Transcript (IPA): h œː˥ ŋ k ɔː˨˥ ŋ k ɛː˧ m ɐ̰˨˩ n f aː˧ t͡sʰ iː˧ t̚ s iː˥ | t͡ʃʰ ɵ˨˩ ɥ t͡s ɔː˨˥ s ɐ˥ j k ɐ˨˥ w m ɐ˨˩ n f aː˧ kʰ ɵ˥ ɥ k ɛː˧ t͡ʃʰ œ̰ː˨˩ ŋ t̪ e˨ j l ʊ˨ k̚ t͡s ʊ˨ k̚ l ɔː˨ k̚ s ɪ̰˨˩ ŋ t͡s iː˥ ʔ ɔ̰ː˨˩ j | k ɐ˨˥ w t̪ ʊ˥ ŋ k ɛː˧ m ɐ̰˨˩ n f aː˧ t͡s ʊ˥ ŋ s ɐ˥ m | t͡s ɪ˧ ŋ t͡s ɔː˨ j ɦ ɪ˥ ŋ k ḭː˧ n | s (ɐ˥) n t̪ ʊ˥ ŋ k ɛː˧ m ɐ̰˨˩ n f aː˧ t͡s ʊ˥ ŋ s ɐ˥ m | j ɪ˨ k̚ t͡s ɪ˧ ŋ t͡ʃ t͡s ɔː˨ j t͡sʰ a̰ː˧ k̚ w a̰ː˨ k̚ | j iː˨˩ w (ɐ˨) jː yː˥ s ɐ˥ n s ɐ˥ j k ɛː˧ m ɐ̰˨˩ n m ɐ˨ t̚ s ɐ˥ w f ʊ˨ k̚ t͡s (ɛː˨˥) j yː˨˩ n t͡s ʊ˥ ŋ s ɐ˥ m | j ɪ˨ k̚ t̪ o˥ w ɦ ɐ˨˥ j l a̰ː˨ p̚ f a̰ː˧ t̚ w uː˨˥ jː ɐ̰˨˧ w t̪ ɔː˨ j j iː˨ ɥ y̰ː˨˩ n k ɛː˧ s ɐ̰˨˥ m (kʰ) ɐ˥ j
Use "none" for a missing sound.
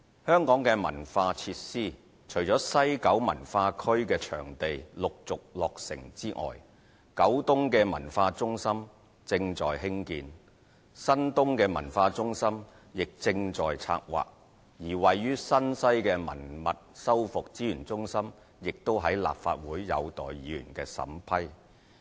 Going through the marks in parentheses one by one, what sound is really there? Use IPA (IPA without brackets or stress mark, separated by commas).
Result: ɐ˥, ɐ˨, iː˨˥, pʰ